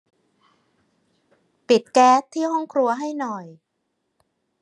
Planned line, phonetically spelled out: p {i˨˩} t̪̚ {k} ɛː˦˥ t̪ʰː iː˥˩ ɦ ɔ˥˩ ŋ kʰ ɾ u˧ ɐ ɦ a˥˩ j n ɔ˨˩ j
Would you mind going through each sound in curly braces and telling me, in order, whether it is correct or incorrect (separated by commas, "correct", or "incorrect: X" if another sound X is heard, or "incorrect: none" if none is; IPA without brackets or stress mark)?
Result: correct, correct